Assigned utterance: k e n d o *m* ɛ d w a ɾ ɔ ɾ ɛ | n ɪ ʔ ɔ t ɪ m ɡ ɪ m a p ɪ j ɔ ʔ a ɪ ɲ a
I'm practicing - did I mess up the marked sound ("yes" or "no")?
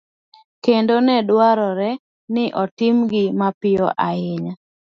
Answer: yes